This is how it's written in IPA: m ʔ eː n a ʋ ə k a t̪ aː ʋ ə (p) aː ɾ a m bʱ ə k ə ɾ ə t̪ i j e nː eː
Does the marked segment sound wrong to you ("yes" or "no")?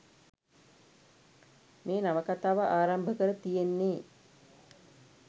yes